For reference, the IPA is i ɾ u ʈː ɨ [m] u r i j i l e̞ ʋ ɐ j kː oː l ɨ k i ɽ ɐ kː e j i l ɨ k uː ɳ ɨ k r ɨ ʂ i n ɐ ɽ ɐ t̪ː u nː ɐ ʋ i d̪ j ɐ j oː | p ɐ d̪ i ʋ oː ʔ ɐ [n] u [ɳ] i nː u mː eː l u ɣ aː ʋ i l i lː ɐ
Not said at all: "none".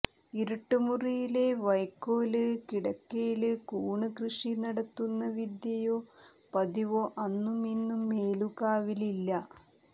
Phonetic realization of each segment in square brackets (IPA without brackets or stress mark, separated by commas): m, nː, m